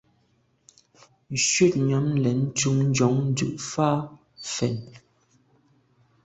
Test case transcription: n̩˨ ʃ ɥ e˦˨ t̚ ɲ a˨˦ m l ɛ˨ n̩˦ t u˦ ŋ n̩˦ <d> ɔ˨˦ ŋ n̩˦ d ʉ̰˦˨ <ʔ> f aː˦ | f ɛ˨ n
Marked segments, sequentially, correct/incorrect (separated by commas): incorrect, correct